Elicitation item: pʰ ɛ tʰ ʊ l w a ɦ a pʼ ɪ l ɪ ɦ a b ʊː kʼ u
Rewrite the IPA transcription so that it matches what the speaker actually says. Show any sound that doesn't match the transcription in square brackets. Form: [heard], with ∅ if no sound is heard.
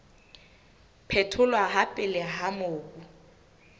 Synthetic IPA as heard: pʰ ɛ tʰ ʊ l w a ɦ a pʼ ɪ l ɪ ɦ a [m] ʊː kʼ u